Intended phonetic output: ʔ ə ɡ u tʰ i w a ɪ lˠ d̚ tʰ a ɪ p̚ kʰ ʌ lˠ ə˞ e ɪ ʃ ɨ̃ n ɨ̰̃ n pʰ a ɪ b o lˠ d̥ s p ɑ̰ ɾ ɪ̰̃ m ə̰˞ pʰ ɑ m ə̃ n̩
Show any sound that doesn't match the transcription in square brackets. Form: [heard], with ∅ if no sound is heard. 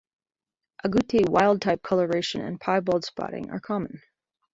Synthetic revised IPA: ʔ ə ɡ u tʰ i w a ɪ lˠ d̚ tʰ a ɪ p̚ kʰ ʌ lˠ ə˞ e ɪ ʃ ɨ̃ n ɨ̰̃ n pʰ a ɪ b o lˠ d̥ s p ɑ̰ ɾ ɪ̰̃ [ŋ] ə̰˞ [kʰ] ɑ m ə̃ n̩